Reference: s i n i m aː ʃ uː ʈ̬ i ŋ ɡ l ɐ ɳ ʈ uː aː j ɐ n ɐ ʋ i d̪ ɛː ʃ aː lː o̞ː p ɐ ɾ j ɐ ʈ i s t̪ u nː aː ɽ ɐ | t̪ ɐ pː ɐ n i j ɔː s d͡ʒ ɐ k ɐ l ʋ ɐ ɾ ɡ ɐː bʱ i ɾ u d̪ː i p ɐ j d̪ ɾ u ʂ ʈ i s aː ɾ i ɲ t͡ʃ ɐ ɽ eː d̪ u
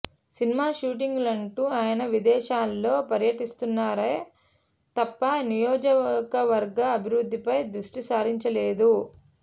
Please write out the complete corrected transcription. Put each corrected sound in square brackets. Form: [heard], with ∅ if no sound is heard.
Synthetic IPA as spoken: s i n i m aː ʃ uː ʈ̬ i ŋ ɡ l ɐ ɳ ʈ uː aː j ɐ n ɐ ʋ i d̪ ɛː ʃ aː lː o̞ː p ɐ ɾ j ɐ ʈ i s t̪ u nː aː [ɾ] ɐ | t̪ ɐ pː ɐ n i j ɔː [∅] d͡ʒ ɐ k ɐ [∅] ʋ ɐ ɾ ɡ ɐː bʱ i ɾ u d̪ː i p ɐ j d̪ ɾ u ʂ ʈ i s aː ɾ i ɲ t͡ʃ ɐ [l] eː d̪ u